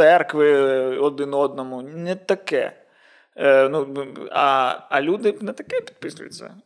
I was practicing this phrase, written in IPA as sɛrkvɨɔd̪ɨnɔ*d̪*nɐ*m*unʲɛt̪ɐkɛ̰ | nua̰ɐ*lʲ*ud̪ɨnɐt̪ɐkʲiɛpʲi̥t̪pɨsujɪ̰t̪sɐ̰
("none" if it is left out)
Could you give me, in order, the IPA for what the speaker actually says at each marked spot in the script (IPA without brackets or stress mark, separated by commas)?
d̪, m, lʲ